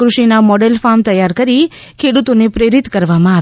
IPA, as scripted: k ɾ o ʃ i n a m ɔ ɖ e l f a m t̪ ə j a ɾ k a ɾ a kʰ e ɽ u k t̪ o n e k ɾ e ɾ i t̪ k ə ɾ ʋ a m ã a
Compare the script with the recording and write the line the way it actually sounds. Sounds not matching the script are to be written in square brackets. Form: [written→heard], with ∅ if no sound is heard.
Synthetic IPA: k ɾ [o→u] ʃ i n a m ɔ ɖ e l f a m t̪ ə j a ɾ k [a→ə] ɾ [a→i] kʰ e ɽ u [k→∅] t̪ o n e [k→p] ɾ e ɾ i t̪ k ə ɾ ʋ a m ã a